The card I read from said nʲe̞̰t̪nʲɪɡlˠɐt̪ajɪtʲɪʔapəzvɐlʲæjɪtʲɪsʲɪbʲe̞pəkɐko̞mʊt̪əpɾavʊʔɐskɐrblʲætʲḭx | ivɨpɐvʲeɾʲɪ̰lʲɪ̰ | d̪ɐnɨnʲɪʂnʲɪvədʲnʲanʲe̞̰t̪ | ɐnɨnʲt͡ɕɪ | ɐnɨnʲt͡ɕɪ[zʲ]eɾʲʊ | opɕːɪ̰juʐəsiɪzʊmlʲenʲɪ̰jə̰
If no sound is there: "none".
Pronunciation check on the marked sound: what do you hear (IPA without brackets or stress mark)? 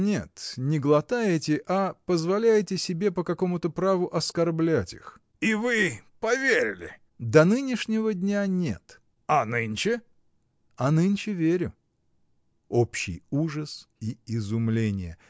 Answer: vʲ